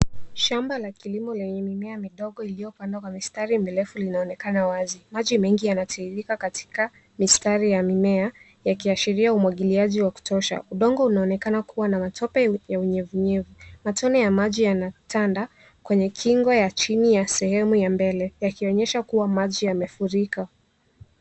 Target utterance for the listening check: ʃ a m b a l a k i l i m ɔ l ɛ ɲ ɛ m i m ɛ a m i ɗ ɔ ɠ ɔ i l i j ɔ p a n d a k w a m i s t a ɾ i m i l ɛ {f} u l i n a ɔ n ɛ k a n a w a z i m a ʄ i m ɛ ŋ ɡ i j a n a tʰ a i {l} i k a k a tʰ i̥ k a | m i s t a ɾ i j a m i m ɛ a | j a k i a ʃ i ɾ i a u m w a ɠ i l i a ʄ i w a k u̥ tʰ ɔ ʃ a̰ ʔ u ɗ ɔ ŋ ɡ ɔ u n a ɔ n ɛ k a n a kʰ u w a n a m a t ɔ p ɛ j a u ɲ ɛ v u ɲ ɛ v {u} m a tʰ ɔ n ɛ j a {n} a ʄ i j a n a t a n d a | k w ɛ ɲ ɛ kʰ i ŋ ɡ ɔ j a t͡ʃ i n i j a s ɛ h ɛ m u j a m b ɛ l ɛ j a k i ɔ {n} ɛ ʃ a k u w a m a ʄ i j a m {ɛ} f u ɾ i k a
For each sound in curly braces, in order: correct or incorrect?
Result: correct, incorrect: ɾ, correct, incorrect: m, incorrect: ɲ, correct

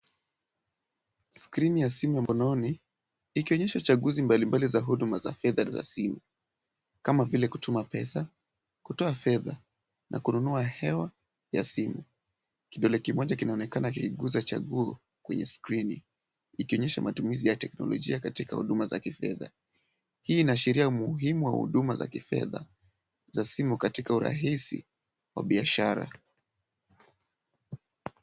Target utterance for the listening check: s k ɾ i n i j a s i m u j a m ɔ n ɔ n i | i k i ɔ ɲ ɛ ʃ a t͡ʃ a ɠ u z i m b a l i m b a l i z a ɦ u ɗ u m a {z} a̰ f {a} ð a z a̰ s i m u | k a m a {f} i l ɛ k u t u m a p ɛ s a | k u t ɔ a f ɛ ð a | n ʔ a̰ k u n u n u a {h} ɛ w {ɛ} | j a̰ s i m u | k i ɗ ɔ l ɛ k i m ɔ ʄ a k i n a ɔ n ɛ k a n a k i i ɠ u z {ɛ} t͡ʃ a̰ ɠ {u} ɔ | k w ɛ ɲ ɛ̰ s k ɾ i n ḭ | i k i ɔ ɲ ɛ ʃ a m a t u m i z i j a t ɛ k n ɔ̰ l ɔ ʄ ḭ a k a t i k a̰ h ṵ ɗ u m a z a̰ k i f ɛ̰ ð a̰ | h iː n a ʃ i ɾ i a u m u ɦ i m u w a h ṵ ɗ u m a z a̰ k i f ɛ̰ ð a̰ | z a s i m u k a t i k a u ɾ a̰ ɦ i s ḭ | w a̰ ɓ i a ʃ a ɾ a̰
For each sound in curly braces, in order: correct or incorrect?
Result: correct, incorrect: ɛ, incorrect: v, correct, incorrect: a, incorrect: a, correct

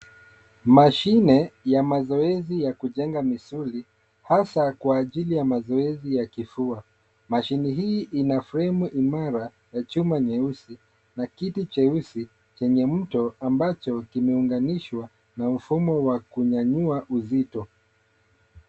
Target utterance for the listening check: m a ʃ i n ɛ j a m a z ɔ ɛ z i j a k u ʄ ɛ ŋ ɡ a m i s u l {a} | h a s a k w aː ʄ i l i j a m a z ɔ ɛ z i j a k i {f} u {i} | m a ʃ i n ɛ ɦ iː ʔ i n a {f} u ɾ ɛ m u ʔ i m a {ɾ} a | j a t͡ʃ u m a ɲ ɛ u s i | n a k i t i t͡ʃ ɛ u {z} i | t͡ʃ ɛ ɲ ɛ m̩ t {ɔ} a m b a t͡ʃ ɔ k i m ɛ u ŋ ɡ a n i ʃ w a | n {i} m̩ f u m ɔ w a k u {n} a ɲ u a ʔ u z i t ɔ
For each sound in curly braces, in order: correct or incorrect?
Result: incorrect: i, correct, incorrect: a, correct, correct, incorrect: s, correct, incorrect: a, incorrect: ɲ

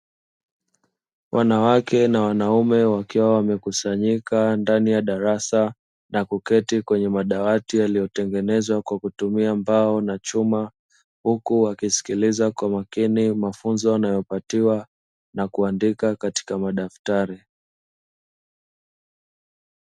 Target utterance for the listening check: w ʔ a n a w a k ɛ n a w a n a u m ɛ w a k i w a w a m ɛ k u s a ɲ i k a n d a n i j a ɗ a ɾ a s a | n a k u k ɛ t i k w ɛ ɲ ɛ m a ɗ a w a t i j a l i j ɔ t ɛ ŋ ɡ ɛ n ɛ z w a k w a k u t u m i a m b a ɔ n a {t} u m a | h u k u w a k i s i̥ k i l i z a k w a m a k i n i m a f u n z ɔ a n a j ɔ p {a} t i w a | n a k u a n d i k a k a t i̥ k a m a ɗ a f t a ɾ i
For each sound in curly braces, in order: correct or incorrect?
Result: incorrect: t͡ʃ, correct

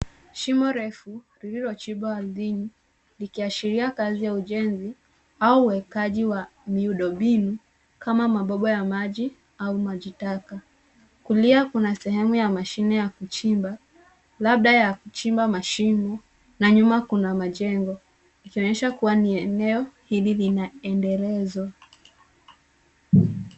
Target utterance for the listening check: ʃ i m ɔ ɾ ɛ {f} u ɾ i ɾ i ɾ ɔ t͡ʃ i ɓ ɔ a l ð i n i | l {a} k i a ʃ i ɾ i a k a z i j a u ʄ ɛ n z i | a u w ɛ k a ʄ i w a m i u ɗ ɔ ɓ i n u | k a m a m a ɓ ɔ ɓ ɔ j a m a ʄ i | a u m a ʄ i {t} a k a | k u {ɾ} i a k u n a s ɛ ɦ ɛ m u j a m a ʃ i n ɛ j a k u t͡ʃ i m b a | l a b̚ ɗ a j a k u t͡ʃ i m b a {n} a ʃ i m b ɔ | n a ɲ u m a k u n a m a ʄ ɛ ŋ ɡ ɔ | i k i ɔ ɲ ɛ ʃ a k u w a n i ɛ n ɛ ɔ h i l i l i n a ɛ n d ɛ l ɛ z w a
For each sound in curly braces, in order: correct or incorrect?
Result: correct, incorrect: i, correct, incorrect: l, incorrect: m

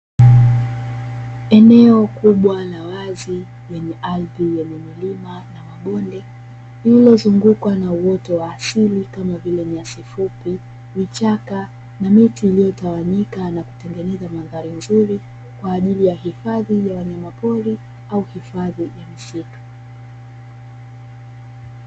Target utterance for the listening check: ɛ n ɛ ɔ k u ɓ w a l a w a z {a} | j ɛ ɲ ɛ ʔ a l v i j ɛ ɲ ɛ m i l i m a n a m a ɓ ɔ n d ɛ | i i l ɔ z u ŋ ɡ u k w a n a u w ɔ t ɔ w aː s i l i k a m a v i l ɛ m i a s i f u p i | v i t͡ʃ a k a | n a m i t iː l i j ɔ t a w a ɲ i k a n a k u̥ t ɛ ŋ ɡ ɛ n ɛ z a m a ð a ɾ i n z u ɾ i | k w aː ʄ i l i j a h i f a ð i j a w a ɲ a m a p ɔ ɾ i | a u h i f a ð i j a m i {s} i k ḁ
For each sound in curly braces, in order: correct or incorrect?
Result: incorrect: i, correct

